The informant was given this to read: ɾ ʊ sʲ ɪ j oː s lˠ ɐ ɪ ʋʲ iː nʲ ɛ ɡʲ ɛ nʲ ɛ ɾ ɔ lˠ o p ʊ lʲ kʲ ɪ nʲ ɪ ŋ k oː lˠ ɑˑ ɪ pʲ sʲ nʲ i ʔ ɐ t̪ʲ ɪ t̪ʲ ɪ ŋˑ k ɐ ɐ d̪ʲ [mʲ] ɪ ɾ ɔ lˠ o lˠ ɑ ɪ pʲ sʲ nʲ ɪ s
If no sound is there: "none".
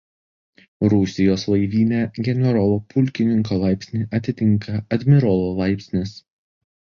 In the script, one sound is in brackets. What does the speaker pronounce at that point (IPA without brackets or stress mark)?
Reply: mʲ